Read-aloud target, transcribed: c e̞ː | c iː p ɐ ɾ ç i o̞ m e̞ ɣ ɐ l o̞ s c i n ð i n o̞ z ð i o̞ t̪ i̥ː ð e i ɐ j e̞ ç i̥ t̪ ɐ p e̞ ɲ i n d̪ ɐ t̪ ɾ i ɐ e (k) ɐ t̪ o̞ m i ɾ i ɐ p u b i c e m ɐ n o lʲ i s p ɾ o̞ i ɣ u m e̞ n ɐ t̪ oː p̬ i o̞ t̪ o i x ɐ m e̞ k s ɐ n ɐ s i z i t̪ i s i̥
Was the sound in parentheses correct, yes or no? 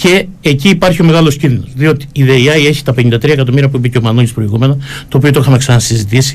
yes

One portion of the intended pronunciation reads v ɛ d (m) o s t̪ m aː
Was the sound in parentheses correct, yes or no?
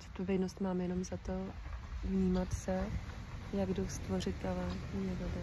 no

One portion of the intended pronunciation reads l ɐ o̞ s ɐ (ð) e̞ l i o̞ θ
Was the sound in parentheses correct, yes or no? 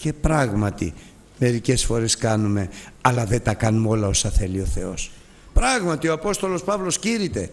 no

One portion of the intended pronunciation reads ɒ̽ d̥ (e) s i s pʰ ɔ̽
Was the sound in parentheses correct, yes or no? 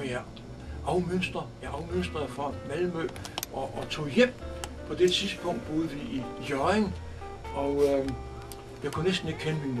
yes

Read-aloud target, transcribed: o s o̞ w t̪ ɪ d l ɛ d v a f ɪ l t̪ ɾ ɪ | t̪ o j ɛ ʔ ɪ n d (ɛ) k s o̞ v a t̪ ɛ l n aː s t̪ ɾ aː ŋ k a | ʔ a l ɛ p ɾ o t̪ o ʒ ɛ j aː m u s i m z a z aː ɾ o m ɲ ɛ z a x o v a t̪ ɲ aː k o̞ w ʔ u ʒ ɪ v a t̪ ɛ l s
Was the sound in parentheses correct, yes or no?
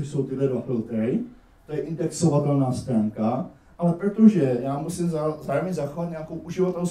yes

